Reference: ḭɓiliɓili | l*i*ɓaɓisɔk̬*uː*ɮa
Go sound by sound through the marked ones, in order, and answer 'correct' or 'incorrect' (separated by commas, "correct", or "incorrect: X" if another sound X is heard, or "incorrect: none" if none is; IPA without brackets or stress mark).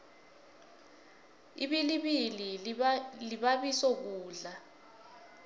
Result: correct, correct